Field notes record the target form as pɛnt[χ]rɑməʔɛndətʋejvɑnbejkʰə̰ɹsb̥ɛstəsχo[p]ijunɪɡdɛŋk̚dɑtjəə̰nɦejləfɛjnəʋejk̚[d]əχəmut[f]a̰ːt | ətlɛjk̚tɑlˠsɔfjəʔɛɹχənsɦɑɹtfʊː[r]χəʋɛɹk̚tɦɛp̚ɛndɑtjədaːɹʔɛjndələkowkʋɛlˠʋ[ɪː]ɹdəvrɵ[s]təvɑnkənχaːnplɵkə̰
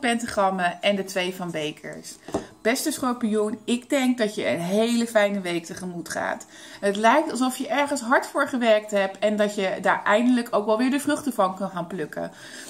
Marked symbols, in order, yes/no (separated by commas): yes, yes, no, no, no, yes, no